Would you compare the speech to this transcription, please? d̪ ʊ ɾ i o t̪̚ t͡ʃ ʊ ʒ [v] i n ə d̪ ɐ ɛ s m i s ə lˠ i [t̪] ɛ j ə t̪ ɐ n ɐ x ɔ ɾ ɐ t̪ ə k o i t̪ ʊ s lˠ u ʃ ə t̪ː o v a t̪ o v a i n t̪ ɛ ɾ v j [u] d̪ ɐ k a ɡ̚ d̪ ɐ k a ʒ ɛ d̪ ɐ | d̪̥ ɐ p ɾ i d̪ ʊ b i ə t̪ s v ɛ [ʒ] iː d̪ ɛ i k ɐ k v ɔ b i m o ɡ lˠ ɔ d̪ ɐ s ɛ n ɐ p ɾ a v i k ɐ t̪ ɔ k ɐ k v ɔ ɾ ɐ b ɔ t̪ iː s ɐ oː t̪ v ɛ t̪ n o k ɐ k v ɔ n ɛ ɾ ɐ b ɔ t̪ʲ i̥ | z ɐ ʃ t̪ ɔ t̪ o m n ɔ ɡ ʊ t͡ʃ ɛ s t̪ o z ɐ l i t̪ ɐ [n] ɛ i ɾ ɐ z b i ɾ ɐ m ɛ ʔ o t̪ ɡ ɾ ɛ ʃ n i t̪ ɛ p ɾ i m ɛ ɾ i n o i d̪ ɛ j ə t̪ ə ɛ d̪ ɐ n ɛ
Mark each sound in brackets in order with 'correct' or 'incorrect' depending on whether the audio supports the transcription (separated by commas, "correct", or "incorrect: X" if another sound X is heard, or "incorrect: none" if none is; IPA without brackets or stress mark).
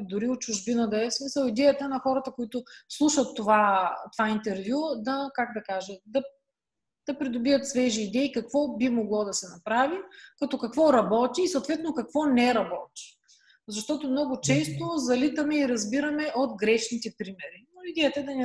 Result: incorrect: b, incorrect: d̪, correct, correct, incorrect: m